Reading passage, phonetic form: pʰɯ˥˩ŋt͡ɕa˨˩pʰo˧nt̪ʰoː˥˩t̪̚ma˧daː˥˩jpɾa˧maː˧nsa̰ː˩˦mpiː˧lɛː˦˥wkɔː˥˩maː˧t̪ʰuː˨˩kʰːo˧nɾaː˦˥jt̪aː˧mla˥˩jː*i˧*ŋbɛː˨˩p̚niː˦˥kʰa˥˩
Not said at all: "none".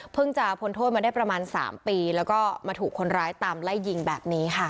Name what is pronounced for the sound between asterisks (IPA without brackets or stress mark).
i˧